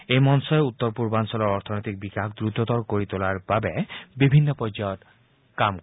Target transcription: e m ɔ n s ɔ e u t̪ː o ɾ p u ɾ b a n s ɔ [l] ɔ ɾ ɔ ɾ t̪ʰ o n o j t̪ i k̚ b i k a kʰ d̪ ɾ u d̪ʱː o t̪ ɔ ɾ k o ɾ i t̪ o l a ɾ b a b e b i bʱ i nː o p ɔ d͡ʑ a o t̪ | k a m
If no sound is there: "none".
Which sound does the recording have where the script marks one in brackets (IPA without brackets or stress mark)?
l